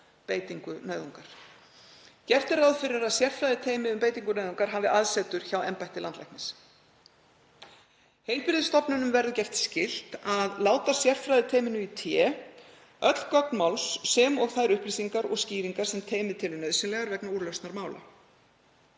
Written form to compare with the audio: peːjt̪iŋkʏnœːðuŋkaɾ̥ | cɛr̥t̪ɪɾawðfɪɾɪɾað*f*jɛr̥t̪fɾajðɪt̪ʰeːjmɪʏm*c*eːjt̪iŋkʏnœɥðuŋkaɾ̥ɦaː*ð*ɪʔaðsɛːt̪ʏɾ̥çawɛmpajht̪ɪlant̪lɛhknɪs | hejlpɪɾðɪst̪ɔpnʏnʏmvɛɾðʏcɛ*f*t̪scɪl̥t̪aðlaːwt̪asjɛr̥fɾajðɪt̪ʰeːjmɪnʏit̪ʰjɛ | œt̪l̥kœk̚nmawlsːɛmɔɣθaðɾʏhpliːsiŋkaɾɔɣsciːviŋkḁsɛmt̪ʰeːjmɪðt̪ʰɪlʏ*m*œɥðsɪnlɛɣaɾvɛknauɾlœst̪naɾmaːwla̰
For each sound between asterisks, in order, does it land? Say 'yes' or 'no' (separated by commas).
no, no, no, yes, no